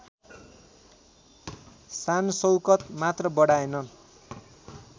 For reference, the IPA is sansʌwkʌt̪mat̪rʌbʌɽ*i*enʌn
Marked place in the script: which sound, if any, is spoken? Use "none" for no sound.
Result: a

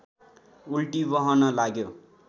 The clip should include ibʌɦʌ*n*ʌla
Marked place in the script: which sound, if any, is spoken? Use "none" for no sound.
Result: n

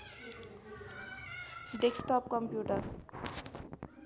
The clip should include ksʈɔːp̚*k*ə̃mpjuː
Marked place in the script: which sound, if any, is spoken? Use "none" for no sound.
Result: k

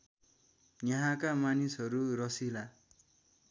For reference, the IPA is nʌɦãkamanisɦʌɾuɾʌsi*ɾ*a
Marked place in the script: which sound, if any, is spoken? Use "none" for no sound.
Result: l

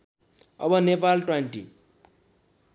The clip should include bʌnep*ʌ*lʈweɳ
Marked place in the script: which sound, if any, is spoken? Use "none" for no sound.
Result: a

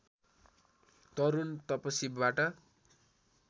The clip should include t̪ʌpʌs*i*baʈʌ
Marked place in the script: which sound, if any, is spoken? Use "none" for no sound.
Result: i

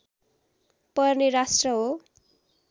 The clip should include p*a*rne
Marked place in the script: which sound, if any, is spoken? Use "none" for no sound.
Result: ʌ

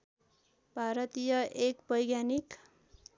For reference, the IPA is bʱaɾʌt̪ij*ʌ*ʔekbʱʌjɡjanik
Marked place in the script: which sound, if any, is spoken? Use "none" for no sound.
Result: ʌ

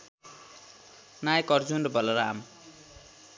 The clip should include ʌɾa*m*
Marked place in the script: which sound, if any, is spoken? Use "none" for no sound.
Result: m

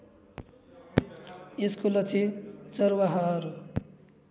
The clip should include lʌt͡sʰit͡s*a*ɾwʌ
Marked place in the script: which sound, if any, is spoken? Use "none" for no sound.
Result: ʌ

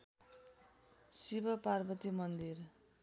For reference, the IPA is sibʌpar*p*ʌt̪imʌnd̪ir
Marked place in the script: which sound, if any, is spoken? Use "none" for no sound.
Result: b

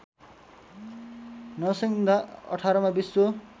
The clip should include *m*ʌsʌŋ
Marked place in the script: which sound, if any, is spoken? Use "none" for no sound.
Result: n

